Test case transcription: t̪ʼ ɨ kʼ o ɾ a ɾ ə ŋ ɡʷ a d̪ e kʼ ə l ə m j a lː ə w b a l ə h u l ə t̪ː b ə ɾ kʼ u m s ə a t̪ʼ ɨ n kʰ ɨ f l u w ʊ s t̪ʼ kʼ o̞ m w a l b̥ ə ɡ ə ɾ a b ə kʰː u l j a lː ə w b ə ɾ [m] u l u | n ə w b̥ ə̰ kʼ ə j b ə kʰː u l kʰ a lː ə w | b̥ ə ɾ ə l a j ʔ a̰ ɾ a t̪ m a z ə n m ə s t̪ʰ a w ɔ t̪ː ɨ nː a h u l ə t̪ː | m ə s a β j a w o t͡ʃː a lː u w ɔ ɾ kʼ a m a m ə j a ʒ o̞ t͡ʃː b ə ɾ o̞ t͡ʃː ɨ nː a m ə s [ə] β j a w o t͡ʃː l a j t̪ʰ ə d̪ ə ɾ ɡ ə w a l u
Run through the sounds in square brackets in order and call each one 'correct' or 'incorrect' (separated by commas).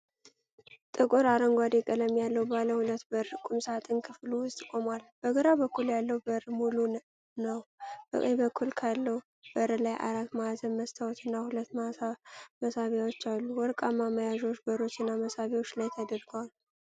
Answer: correct, incorrect